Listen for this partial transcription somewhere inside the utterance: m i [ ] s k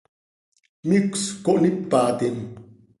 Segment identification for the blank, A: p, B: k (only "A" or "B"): B